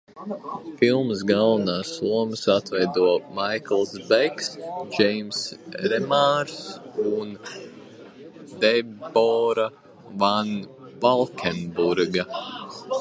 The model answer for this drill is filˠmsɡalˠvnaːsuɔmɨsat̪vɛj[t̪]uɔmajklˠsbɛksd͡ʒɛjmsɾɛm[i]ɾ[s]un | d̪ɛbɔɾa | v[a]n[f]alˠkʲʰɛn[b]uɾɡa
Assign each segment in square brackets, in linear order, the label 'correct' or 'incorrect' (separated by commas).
incorrect, incorrect, correct, correct, incorrect, correct